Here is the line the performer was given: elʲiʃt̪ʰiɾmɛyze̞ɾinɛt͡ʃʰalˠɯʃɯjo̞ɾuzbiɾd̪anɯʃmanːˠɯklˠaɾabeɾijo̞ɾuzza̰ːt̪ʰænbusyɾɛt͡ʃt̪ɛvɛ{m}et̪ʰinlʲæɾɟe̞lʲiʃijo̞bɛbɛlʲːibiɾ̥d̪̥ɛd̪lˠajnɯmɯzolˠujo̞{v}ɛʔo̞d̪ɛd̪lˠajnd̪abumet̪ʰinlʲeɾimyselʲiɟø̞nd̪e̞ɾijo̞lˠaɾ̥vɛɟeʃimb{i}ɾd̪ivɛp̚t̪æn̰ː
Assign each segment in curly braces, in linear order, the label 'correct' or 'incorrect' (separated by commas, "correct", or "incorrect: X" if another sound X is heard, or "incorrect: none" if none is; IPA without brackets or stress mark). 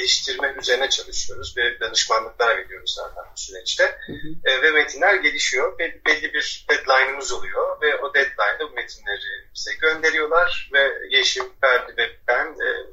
correct, correct, incorrect: æ